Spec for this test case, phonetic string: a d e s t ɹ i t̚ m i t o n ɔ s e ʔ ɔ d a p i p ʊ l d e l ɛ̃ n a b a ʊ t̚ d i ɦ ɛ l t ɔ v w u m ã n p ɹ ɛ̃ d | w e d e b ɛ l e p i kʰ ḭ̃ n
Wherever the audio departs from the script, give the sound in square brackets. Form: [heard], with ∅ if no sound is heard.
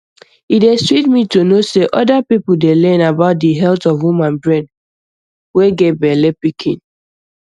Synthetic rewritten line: [i] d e s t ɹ i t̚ m i t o n [o] s e ʔ ɔ d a p i p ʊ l d e l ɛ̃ n a b a ʊ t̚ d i ɦ ɛ l t ɔ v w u m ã n [b] ɹ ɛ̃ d | w e [ɡ] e b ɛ l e p i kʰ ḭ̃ n